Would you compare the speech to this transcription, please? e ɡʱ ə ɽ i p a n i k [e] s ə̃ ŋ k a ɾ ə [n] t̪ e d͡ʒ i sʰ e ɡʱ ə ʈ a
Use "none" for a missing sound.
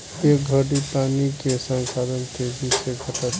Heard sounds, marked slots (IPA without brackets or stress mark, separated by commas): e, n